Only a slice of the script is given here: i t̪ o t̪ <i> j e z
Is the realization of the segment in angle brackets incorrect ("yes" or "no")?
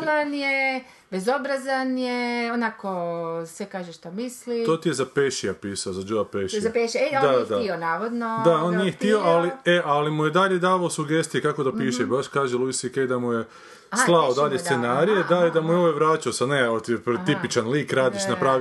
no